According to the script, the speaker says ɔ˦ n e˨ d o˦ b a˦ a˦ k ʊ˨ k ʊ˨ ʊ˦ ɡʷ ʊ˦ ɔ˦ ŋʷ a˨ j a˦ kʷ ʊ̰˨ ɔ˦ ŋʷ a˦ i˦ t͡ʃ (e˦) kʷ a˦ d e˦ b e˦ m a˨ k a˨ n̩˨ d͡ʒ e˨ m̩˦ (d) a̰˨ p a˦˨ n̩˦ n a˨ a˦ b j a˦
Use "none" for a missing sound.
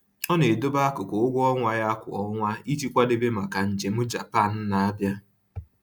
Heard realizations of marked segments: i˦, d͡ʒ

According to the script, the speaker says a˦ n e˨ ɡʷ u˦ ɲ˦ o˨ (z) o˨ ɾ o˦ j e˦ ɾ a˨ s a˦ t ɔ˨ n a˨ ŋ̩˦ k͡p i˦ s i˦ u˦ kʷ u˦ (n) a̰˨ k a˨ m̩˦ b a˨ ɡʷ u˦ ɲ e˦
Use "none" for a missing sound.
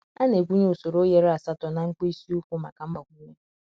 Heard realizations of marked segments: s, m

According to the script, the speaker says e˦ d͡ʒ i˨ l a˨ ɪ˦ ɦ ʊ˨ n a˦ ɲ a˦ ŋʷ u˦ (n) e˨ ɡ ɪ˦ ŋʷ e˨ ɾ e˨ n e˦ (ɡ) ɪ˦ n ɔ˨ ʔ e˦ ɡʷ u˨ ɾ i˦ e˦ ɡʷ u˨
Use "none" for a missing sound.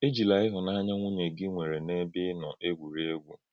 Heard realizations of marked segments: ɲ, b

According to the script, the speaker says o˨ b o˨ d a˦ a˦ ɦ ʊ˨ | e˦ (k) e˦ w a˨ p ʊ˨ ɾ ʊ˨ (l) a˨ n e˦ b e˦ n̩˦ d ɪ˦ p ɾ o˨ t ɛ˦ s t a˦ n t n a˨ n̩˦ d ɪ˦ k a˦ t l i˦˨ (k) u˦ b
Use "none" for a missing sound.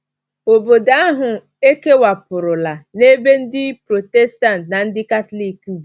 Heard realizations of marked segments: k, l, k

